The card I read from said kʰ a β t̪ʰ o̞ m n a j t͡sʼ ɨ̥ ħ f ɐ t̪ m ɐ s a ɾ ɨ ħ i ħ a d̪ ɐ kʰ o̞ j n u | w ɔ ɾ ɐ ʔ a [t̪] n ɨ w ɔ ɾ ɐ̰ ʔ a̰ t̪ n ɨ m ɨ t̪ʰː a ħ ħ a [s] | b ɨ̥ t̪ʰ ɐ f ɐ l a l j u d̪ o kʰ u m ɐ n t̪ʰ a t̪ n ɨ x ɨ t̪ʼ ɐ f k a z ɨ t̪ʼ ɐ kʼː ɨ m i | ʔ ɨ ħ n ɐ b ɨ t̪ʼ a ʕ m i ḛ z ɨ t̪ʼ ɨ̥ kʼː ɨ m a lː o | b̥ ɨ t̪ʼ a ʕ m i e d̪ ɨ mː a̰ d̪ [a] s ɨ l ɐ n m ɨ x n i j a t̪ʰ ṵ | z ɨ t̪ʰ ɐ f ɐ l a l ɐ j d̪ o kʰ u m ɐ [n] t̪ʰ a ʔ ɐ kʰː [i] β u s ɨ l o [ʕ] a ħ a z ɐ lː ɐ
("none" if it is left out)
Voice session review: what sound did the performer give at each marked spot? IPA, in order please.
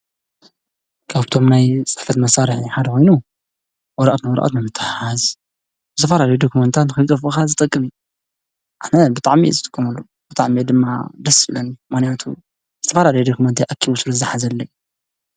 t̪, z, ɐ, n, i, z

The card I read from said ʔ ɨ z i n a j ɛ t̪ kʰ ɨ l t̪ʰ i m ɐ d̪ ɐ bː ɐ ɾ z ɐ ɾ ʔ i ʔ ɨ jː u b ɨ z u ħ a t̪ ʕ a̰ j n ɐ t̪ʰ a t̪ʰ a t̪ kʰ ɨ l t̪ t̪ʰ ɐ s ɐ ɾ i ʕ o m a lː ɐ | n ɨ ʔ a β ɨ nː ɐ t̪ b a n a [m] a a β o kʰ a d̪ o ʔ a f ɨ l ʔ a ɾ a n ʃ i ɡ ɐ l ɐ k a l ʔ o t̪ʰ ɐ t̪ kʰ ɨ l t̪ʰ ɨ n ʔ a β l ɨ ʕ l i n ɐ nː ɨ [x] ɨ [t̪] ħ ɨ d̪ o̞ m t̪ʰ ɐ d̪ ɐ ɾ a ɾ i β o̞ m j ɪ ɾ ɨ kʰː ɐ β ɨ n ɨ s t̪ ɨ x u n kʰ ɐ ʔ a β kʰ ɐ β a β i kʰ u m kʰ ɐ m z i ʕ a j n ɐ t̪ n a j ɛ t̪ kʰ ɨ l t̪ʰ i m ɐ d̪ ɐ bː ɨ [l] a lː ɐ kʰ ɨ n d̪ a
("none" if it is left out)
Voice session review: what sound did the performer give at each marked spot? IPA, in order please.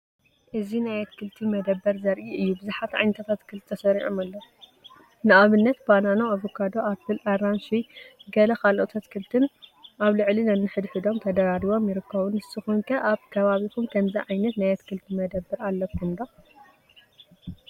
n, ħ, d̪, ɾ

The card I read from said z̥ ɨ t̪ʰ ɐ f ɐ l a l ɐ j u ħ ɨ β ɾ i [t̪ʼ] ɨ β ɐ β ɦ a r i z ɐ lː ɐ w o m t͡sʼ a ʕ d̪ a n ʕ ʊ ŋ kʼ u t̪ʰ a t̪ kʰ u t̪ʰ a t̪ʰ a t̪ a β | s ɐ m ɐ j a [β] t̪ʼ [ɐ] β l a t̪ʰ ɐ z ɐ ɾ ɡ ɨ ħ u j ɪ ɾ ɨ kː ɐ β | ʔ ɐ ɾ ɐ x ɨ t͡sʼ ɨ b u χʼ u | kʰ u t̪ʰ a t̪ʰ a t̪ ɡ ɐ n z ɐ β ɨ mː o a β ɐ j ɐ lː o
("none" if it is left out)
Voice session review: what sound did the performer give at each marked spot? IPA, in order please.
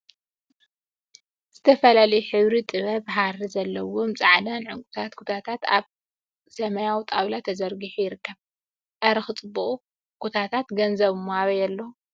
t̪ʼ, w, a

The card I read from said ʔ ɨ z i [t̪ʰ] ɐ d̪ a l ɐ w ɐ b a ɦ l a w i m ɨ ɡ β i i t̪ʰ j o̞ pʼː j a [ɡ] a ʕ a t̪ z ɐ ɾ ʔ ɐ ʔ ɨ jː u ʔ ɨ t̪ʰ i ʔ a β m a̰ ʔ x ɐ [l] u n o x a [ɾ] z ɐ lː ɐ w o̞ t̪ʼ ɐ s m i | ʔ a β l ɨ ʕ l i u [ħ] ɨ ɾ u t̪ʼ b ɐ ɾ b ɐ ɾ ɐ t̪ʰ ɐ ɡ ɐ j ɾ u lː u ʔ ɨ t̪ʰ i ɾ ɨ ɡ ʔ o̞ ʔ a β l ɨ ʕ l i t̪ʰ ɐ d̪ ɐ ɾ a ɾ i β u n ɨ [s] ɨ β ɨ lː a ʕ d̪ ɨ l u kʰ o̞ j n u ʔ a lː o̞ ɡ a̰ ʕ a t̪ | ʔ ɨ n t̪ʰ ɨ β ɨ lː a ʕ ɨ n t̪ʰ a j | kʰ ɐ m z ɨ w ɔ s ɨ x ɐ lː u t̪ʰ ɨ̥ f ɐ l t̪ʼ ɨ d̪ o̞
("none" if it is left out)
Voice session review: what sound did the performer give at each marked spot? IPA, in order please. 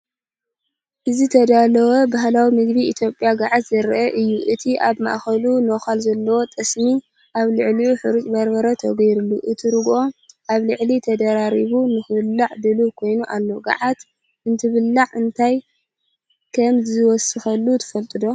t̪ʰ, ɡ, l, l, ħ, x

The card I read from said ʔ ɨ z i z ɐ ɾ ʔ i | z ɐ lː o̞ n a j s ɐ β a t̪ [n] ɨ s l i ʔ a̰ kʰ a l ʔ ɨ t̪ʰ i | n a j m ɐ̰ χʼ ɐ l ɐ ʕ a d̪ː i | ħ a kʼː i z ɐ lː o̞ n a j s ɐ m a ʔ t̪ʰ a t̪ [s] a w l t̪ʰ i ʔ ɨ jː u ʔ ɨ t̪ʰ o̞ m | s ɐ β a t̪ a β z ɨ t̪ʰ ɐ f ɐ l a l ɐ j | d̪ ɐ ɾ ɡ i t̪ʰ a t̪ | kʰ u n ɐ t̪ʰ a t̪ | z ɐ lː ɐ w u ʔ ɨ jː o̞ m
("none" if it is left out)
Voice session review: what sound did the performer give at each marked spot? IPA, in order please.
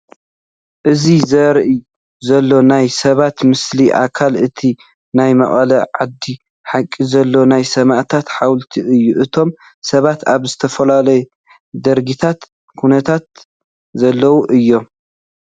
m, ħ

